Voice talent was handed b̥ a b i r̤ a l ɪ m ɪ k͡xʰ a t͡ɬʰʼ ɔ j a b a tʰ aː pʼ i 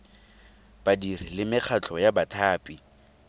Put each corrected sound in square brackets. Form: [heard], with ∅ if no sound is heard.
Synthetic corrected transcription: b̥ a [d] i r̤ [i] l ɪ m ɪ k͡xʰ a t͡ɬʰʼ ɔ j a b a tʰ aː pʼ i